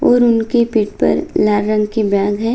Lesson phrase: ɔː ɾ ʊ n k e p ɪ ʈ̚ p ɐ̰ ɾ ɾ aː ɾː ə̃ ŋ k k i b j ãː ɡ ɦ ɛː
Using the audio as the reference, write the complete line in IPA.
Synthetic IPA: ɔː ɾ ʊ n k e p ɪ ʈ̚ p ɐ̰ ɾ l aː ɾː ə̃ ŋ ɡ k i b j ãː ɡ ɦ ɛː